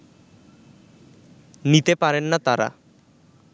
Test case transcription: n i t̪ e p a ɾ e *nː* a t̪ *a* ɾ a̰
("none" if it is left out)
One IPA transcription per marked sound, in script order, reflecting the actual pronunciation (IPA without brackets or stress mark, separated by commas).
nː, a